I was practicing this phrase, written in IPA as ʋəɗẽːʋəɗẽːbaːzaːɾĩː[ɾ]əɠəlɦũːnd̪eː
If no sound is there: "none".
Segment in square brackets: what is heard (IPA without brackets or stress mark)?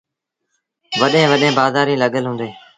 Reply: l